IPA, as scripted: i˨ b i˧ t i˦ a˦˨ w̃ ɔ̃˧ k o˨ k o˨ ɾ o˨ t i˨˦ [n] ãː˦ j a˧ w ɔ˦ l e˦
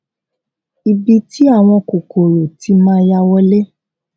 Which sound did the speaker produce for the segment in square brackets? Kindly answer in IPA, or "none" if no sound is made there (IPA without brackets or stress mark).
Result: m